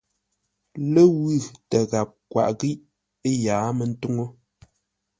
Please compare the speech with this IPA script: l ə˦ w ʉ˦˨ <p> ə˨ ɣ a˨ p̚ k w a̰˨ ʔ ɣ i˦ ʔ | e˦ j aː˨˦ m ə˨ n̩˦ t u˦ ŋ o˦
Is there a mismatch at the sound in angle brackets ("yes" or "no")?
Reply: yes